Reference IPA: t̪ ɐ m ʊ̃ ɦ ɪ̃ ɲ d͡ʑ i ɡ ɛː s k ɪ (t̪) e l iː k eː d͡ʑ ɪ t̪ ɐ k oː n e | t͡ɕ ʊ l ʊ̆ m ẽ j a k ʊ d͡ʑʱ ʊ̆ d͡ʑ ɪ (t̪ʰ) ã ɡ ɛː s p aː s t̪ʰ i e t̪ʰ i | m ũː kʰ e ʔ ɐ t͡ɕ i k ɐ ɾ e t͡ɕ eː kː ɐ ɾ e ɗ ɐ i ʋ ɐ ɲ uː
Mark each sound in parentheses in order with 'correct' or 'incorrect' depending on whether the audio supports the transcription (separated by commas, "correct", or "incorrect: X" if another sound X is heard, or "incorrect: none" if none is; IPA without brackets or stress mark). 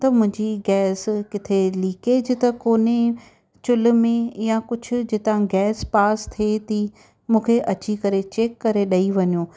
incorrect: t̪ʰ, incorrect: t̪